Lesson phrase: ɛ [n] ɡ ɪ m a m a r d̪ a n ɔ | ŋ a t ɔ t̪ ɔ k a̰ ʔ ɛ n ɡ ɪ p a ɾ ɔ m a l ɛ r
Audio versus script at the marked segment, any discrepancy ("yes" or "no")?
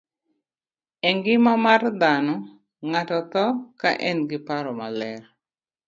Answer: yes